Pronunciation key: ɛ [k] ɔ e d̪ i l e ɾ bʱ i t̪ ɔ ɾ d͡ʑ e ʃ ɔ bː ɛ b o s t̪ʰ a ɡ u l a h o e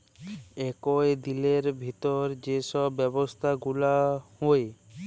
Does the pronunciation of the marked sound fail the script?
no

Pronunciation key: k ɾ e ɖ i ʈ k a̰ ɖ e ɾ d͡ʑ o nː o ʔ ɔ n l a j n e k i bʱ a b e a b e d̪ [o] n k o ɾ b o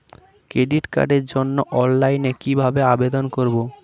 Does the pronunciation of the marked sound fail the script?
no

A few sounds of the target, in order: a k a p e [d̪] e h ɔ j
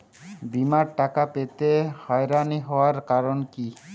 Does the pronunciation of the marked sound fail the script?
yes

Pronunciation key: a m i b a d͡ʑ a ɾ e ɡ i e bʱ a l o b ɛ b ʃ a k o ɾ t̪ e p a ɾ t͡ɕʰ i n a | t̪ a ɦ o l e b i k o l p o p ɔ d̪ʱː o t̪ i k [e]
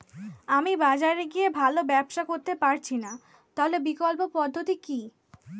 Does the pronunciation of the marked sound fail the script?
yes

